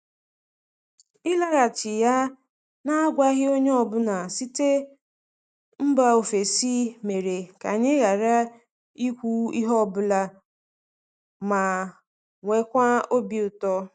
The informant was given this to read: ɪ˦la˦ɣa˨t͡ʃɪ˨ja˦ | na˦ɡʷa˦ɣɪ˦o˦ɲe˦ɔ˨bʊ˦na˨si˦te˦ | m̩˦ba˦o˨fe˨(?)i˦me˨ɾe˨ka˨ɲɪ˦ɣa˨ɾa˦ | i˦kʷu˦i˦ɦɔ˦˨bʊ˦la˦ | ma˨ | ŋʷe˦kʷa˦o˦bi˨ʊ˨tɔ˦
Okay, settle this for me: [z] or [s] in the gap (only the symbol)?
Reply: s